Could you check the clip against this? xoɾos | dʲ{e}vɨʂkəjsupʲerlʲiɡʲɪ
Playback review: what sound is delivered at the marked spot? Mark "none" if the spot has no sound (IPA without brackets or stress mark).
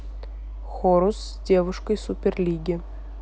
e